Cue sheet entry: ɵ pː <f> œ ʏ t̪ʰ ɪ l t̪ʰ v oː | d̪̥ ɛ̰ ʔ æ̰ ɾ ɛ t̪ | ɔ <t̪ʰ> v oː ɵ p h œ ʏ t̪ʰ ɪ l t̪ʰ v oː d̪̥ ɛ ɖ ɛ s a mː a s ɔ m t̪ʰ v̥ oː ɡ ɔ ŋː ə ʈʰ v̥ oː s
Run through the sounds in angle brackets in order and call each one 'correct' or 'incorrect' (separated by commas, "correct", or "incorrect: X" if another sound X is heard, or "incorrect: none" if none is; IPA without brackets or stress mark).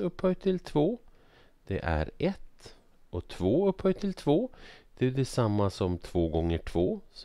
incorrect: h, correct